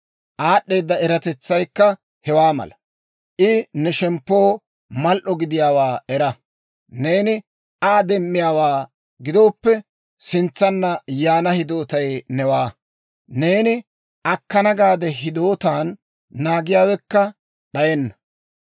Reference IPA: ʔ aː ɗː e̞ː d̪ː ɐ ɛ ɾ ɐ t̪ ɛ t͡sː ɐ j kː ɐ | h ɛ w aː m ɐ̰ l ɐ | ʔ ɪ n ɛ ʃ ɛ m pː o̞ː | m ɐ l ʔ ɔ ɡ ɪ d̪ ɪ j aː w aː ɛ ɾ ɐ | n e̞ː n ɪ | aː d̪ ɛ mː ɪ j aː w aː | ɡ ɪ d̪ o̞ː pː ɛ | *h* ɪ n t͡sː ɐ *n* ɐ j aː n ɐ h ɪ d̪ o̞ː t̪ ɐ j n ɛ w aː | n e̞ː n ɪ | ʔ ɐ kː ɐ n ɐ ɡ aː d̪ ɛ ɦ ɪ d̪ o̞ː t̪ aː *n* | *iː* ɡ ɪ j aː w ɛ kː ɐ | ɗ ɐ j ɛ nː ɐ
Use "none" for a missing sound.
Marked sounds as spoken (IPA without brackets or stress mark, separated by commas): s, nː, nː, aː